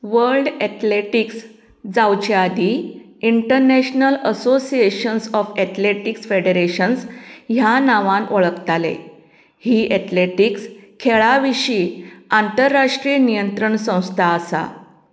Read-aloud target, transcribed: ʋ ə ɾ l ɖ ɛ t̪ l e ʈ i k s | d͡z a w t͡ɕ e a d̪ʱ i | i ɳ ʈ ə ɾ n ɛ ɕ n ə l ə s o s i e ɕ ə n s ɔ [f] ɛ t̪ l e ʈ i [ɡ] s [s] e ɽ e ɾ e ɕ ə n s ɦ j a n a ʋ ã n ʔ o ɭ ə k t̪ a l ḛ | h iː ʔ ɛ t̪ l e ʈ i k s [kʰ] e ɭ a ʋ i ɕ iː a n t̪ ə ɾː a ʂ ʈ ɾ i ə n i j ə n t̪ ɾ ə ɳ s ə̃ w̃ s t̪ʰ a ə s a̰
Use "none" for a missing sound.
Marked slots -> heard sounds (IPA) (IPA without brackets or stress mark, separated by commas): f, k, f, kʰ